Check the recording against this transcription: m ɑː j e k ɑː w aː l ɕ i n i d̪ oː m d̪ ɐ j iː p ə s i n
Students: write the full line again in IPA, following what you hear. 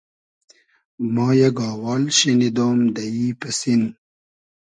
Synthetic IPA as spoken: m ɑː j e ɡ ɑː w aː l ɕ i n i d̪ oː m d̪ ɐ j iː p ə s i n